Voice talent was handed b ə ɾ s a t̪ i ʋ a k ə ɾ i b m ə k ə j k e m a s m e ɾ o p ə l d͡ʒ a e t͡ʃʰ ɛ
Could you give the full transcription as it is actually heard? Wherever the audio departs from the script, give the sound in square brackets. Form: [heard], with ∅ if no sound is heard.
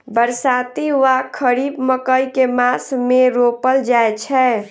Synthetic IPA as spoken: b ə ɾ s a t̪ i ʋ a [kʰ] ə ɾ i b m ə k ə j k e m a s m e ɾ o p ə l d͡ʒ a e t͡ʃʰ ɛ